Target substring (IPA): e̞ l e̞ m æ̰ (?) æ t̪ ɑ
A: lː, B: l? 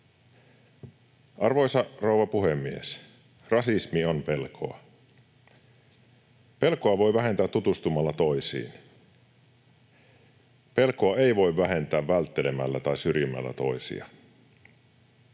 A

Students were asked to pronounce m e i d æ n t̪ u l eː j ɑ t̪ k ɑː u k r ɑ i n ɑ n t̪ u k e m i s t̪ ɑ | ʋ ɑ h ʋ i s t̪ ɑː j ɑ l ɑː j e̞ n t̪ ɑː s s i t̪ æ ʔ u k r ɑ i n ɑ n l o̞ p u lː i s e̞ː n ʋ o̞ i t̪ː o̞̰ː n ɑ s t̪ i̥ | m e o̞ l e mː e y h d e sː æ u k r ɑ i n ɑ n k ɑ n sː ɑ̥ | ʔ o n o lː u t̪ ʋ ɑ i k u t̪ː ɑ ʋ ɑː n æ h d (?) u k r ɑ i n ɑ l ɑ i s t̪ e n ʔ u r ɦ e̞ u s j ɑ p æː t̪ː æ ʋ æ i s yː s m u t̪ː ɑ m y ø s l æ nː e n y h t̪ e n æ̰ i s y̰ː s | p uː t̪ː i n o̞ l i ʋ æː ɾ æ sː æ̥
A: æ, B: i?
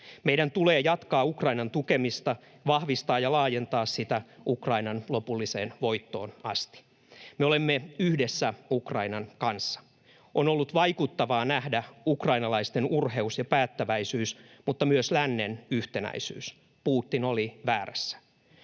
A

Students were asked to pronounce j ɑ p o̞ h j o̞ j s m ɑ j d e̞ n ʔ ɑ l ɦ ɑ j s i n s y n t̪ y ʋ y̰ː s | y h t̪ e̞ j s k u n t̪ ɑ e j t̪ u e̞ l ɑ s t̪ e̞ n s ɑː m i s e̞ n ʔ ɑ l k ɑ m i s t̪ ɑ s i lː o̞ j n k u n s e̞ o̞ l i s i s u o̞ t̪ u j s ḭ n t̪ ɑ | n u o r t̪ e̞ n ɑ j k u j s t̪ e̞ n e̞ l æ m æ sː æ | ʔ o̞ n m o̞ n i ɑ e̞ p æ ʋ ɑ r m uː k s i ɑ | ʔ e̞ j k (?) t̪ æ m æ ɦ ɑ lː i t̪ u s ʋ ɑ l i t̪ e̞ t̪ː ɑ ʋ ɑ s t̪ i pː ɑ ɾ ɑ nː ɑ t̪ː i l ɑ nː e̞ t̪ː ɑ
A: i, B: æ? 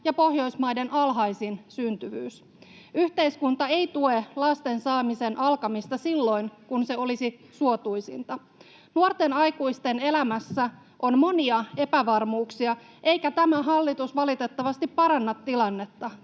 B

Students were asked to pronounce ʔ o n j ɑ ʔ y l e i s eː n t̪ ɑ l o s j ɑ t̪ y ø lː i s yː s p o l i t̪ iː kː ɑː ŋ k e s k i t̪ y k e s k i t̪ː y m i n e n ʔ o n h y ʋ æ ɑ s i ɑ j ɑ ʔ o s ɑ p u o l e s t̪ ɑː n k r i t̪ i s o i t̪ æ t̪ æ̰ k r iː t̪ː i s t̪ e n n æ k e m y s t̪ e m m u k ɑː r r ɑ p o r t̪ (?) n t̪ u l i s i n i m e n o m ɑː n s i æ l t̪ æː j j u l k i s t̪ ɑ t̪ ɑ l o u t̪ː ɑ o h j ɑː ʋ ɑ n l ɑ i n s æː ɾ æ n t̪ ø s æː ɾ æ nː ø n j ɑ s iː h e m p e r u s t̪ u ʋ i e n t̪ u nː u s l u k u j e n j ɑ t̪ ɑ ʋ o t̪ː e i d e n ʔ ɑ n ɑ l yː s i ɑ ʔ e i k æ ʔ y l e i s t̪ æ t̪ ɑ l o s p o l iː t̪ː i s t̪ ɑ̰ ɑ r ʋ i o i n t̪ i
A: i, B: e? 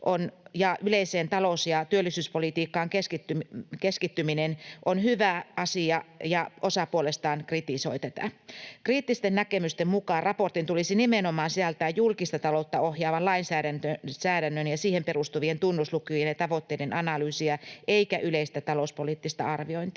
A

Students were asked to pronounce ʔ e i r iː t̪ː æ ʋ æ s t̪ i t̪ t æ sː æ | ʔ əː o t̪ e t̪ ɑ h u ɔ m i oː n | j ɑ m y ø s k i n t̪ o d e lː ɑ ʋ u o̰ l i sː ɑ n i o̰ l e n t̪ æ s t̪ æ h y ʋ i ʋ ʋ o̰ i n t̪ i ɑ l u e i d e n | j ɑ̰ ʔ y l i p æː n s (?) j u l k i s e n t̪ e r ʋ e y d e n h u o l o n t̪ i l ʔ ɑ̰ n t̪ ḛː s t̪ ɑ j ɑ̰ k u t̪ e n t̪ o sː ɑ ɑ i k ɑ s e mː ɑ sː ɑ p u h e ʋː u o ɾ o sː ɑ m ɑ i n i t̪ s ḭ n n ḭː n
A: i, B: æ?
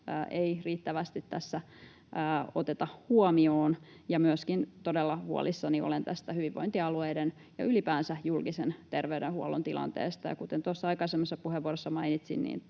B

